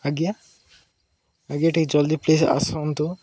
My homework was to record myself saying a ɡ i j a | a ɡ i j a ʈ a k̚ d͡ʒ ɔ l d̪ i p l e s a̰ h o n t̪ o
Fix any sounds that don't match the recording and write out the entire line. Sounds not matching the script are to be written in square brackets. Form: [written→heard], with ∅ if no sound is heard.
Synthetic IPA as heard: a ɡ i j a | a ɡ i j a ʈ [a→i] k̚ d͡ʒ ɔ l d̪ i p l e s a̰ [h→s] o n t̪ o